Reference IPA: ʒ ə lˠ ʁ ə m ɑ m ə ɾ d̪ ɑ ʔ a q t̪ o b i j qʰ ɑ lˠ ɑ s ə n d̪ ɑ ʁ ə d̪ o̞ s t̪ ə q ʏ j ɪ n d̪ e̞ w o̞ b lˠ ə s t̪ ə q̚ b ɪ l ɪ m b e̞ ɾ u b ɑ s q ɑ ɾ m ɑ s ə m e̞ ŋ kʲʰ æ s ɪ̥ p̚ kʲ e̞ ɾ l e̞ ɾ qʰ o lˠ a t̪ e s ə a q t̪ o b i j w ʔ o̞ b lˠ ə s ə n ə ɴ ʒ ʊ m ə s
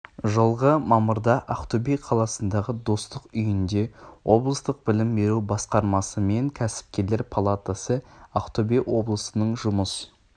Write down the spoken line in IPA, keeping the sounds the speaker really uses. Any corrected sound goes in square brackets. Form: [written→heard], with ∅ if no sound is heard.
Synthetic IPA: ʒ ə lˠ ʁ ə m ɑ m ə ɾ d̪ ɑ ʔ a q t̪ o b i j qʰ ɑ lˠ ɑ s ə n d̪ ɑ ʁ ə d̪ o̞ s t̪ ə q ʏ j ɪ n d̪ e̞ w o̞ b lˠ ə s t̪ ə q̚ b ɪ l ɪ m b e̞ ɾ u b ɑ s q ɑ ɾ m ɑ s ə m e̞ ŋ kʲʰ æ s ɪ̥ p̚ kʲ e̞ ɾ l e̞ ɾ [qʰ→pʰ] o lˠ a t̪ [e→a] s ə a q t̪ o b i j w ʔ o̞ b lˠ ə s ə n ə ɴ ʒ ʊ m ə s